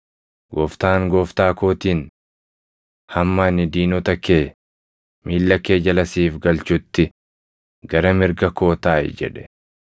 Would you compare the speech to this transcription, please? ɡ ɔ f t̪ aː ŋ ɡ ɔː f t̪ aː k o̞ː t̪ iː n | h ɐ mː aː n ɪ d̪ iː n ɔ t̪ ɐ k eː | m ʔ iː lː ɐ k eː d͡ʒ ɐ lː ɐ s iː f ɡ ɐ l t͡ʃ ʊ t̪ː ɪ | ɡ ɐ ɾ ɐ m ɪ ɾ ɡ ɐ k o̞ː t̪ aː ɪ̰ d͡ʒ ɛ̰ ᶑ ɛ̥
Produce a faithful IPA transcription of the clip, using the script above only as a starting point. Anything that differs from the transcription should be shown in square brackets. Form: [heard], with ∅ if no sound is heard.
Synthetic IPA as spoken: ɡ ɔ f t̪ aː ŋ ɡ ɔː f t̪ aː k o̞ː t̪ iː n | h ɐ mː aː n ɪ d̪ iː n ɔ t̪ ɐ k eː | m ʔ iː lː ɐ k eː d͡ʒ ɐ [l] ɐ s iː f ɡ ɐ l t͡ʃ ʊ t̪ː ɪ | ɡ ɐ ɾ ɐ m ɪ ɾ ɡ ɐ k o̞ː t̪ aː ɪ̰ d͡ʒ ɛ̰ ᶑ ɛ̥